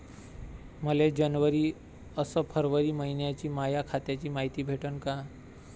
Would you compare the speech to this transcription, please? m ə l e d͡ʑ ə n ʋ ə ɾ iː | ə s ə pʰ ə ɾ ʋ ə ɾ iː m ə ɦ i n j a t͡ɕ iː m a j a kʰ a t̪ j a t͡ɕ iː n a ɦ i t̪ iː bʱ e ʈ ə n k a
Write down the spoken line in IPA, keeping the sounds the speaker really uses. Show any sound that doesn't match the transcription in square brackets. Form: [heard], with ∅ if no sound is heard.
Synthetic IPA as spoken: m ə l e d͡ʑ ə n ʋ ə ɾ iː | ə s ə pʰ ə ɾ ʋ ə ɾ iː m ə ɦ i n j a t͡ɕ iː m a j a kʰ a t̪ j a t͡ɕ iː [m] a ɦ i t̪ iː bʱ e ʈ ə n k a